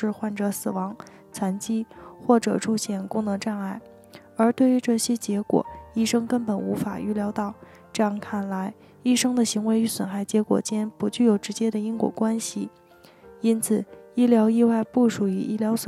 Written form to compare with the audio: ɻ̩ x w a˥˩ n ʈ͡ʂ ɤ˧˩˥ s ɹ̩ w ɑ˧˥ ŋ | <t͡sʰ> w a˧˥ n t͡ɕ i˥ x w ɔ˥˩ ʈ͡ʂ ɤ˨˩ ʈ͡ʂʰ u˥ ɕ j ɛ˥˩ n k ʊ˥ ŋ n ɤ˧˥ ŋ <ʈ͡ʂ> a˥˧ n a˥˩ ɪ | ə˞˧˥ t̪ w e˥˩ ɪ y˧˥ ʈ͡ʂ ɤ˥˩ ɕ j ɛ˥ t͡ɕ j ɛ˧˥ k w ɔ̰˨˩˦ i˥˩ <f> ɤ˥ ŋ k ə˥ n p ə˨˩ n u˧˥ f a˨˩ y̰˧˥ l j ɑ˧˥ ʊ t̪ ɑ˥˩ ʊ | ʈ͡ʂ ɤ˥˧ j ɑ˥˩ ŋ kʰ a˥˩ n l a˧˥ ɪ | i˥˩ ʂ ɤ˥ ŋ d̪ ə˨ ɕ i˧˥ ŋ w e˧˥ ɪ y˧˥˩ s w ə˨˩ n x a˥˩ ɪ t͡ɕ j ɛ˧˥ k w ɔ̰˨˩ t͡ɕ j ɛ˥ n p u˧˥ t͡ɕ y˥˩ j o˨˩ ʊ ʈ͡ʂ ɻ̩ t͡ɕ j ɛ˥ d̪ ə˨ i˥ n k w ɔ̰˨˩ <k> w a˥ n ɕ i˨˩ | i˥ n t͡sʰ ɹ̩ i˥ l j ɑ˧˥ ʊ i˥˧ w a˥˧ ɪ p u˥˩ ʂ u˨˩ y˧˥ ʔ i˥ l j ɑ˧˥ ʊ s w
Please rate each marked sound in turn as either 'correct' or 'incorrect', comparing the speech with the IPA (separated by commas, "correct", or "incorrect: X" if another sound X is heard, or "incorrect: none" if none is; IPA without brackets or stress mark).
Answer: correct, correct, incorrect: ʂ, correct